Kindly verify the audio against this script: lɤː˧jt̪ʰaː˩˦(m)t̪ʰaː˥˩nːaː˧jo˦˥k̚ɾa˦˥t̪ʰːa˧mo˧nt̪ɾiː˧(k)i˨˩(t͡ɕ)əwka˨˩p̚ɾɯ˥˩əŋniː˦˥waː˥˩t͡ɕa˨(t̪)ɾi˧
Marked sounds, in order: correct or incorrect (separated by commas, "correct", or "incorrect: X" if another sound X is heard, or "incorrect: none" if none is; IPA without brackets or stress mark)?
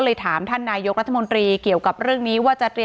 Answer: correct, correct, incorrect: none, correct